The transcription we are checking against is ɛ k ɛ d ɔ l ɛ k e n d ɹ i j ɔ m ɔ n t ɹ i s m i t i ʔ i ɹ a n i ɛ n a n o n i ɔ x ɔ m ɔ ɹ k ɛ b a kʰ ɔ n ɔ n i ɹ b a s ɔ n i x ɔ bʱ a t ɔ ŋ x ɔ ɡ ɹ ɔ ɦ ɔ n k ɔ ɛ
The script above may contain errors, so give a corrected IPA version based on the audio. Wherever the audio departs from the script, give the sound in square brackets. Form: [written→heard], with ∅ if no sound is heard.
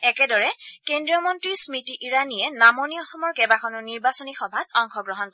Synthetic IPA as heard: ɛ k ɛ d ɔ [l→ɹ] ɛ k e n d ɹ i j ɔ m ɔ n t ɹ i s m i t i ʔ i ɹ a n i ɛ n a [n→m] o n i ɔ x ɔ m ɔ ɹ k ɛ b a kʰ ɔ n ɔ n i ɹ b a s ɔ n i x ɔ bʱ a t ɔ ŋ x ɔ ɡ ɹ ɔ ɦ ɔ n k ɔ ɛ